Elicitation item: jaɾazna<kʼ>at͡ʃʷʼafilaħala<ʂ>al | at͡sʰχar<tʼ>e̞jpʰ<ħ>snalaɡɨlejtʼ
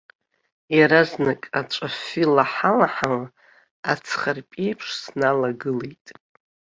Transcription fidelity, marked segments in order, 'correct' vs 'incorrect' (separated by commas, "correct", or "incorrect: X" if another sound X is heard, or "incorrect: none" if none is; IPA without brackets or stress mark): correct, incorrect: ħ, incorrect: pʼ, incorrect: ʂ